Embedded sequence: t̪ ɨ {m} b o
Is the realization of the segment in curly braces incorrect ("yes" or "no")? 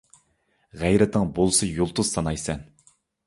yes